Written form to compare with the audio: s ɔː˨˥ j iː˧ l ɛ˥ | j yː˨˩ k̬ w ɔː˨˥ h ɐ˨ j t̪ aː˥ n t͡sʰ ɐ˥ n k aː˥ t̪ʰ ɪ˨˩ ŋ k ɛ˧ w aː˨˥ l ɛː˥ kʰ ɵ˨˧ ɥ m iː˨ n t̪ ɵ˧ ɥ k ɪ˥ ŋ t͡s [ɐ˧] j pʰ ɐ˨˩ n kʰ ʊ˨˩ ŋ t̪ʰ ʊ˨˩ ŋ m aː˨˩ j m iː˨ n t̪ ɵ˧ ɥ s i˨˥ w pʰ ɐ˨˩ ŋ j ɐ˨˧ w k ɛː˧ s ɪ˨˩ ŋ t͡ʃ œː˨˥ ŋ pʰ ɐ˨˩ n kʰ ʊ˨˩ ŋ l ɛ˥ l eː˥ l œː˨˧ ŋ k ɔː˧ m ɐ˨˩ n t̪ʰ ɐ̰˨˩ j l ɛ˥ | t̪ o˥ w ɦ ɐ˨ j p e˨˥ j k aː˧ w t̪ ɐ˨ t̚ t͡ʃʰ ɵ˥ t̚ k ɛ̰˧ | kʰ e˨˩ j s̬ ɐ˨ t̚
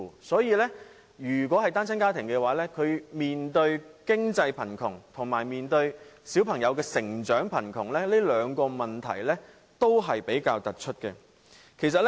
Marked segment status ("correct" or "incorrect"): correct